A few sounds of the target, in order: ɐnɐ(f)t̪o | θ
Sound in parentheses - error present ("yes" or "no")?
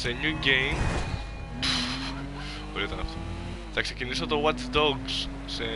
no